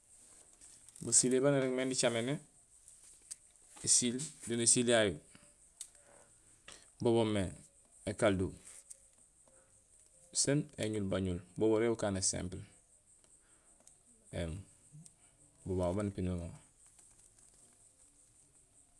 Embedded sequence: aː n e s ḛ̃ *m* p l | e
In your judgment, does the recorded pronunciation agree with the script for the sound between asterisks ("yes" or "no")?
yes